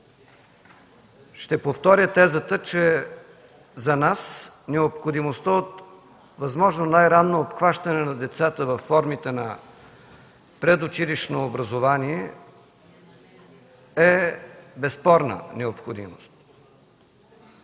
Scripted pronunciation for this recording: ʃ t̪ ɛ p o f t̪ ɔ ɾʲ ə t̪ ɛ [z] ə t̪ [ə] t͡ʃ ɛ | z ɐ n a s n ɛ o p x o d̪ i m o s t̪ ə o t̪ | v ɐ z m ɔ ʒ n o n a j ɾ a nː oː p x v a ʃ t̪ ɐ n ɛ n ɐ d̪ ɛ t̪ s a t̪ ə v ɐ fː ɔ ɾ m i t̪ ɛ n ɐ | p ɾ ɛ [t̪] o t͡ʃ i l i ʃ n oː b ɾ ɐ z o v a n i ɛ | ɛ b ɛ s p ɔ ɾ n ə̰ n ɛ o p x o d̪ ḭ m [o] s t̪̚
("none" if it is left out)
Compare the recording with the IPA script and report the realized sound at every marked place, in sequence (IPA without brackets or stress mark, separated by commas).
z, ə, d̪, o